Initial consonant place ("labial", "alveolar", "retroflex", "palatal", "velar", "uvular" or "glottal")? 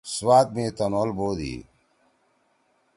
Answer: alveolar